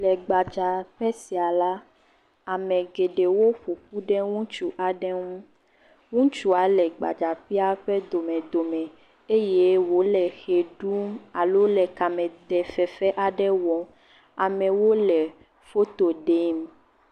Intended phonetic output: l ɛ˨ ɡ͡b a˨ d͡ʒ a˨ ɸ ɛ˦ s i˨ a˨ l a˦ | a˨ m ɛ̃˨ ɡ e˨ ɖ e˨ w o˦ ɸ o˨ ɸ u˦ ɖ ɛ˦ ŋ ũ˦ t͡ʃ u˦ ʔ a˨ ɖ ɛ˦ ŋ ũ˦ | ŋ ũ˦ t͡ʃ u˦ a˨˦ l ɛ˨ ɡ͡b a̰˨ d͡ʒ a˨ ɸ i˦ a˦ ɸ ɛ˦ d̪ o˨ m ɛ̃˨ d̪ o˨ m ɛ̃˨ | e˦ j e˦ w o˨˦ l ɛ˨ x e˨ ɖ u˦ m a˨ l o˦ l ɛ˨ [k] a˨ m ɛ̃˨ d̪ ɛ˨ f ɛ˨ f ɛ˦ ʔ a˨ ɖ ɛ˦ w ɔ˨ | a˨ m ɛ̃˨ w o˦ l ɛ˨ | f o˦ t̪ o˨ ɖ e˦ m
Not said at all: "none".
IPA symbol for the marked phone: k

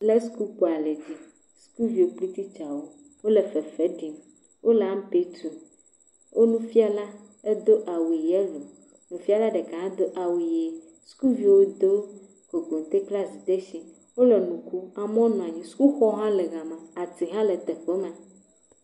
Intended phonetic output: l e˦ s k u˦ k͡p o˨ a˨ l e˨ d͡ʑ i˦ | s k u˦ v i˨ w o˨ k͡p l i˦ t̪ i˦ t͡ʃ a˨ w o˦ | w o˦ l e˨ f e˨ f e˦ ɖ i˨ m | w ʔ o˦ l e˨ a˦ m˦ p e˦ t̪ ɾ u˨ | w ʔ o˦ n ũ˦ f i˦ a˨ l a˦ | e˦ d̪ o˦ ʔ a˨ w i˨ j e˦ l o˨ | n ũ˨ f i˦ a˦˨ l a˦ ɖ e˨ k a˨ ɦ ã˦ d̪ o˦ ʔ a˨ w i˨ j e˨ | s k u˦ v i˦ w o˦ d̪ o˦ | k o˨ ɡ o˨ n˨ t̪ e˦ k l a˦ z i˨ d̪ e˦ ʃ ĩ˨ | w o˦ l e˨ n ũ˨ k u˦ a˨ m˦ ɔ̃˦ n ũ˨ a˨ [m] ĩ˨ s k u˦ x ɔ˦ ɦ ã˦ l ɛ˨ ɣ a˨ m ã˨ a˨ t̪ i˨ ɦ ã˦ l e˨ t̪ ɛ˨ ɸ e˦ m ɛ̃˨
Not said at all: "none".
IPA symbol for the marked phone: ɲ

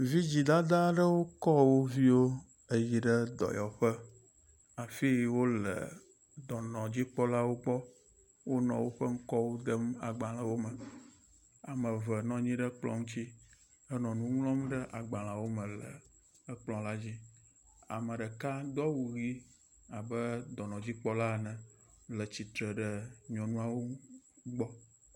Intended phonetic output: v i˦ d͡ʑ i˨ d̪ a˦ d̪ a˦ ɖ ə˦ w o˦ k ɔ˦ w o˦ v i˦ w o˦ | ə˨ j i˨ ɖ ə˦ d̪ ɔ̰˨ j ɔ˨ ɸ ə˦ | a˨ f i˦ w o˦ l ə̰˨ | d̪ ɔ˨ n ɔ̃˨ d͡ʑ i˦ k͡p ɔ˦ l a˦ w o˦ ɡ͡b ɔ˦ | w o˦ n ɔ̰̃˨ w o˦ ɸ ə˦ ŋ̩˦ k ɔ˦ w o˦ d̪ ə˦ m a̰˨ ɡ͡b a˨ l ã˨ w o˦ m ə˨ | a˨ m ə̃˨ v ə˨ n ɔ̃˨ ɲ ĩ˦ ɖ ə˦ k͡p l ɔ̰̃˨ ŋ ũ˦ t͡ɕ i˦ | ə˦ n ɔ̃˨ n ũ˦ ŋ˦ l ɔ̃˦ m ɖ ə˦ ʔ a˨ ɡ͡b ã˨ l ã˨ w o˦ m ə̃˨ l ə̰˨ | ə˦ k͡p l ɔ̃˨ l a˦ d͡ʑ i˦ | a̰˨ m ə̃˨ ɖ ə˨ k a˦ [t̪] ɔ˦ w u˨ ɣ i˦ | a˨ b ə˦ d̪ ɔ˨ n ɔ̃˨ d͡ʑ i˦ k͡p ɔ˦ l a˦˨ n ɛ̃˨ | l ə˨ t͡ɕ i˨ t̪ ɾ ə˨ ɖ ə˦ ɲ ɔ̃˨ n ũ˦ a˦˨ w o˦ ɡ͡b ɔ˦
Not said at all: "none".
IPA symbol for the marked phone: d̪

